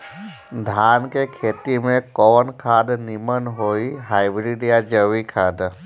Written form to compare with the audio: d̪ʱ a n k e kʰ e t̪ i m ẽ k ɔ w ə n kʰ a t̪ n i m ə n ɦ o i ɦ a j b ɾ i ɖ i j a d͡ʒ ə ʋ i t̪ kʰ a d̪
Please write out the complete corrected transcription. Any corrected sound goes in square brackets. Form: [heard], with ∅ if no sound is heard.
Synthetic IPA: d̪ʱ a n k e kʰ e t̪ i m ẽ k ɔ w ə n kʰ a [d̪] n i m ə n ɦ o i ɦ a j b ɾ i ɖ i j a d͡ʒ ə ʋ i [∅] kʰ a d̪